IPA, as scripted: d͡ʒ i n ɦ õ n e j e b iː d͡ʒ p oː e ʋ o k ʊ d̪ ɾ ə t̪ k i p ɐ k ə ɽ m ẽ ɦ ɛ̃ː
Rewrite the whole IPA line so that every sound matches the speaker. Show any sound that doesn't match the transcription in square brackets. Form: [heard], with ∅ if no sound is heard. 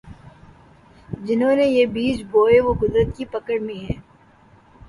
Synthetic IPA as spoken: d͡ʒ [ɪ] n ɦ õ n e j e b iː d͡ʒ [b] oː e ʋ o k ʊ d̪ ɾ ə t̪ k i p ɐ k ə ɽ m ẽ ɦ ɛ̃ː